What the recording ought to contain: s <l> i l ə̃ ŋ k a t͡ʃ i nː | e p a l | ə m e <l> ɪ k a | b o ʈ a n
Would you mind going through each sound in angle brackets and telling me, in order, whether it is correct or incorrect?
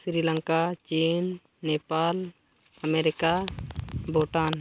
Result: incorrect: ɾ, incorrect: ɾ

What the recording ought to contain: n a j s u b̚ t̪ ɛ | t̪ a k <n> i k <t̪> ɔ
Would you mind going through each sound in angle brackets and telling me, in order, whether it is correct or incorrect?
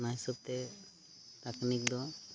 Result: correct, incorrect: d̪

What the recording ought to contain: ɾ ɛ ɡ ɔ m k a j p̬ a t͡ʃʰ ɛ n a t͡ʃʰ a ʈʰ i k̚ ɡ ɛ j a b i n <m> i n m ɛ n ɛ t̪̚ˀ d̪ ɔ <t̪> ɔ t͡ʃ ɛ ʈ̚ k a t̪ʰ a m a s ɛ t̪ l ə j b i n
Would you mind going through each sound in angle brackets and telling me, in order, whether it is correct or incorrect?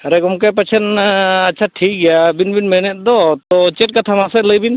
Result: incorrect: b, correct

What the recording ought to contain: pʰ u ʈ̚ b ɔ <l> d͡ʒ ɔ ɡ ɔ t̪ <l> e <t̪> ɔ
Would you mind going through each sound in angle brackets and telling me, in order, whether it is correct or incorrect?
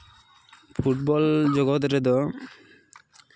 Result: correct, incorrect: ɾ, incorrect: d̪

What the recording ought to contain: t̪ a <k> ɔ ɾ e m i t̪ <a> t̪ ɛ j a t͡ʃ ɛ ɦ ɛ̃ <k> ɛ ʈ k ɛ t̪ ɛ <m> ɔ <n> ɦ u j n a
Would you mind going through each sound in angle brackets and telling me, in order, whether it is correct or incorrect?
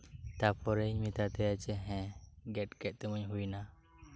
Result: incorrect: p, correct, incorrect: ɡ, correct, incorrect: ɲ

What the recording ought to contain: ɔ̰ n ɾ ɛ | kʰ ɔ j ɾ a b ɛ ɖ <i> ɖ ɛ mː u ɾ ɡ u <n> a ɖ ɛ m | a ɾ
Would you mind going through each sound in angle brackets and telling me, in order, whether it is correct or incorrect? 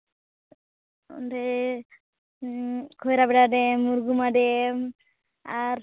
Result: incorrect: a, incorrect: m

